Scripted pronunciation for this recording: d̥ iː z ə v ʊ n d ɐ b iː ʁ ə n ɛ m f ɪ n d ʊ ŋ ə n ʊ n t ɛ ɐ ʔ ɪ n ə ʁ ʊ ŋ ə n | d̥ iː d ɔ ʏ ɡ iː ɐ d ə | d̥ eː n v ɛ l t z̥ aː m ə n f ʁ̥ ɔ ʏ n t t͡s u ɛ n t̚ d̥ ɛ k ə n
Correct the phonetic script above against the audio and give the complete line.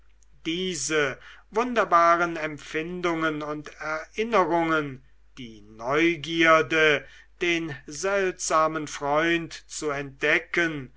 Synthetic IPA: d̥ iː z ə v ʊ n d ɐ b aː ʁ ə n ɛ m f ɪ n d ʊ ŋ ə n ʊ n t ɛ ɐ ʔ ɪ n ə ʁ ʊ ŋ ə n | d̥ iː n ɔ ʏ ɡ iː ɐ d ə | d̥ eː n z ɛ l t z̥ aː m ə n f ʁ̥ ɔ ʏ n t t͡s u ɛ n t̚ d̥ ɛ k ə n